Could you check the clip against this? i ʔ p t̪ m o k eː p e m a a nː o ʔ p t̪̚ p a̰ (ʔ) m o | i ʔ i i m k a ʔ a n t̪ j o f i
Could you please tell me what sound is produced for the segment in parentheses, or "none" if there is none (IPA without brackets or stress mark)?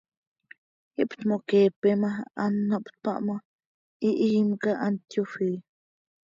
ʔ